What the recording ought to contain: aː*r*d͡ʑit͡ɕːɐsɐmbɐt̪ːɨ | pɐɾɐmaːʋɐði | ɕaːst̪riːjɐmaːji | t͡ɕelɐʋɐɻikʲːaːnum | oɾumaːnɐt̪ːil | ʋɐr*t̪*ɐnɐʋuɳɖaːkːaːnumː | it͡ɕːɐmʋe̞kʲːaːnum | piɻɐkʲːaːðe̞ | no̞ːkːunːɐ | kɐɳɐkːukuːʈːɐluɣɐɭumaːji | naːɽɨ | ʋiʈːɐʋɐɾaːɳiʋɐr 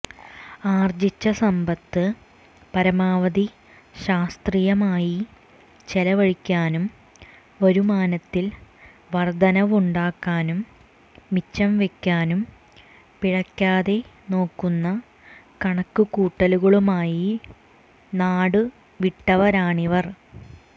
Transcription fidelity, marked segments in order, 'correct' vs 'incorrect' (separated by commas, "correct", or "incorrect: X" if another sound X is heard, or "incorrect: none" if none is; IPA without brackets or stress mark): correct, incorrect: d̪